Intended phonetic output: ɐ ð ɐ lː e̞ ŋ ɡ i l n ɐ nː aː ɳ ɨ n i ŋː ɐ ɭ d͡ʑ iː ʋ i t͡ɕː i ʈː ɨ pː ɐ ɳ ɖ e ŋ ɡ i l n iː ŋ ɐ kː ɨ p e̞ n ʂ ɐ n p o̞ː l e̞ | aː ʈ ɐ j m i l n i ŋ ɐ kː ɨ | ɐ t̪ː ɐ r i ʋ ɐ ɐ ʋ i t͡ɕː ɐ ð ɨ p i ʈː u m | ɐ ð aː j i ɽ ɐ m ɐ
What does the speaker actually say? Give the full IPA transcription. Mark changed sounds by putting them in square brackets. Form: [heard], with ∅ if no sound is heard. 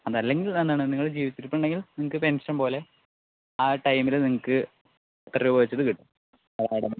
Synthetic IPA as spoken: ɐ ð ɐ lː e̞ ŋ ɡ i l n ɐ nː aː ɳ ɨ n i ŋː ɐ ɭ d͡ʑ iː ʋ i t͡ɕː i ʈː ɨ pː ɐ ɳ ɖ e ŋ ɡ i l n [i] ŋ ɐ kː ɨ p e̞ n ʂ ɐ n p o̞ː l e̞ | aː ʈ ɐ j m i l n i ŋ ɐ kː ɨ | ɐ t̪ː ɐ r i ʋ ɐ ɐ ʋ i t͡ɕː ɐ ð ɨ [k] i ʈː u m | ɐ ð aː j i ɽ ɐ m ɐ